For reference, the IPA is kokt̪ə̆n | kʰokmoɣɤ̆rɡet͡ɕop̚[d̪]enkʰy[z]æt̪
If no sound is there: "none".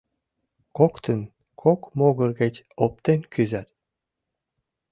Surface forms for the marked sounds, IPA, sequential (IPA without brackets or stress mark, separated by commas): t̪, z